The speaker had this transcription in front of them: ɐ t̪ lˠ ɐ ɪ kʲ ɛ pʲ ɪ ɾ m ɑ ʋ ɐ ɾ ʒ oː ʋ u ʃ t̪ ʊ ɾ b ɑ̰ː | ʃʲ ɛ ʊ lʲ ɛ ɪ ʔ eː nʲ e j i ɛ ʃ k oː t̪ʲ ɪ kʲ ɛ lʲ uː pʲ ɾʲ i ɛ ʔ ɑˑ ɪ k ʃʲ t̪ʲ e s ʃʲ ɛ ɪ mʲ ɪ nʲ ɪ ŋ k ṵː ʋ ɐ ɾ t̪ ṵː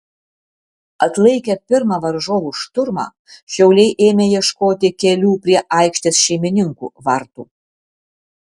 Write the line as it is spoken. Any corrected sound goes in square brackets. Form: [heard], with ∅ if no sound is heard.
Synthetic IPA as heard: ɐ t̪ lˠ ɐ ɪ kʲ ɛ pʲ ɪ ɾ m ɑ ʋ ɐ ɾ ʒ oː ʋ u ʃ t̪ ʊ ɾ [m] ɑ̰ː | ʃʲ ɛ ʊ lʲ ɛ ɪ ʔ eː [mʲ] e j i ɛ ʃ k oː t̪ʲ ɪ kʲ ɛ lʲ uː pʲ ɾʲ i ɛ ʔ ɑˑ ɪ k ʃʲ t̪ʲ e s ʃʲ ɛ ɪ mʲ ɪ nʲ ɪ ŋ k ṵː ʋ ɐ ɾ t̪ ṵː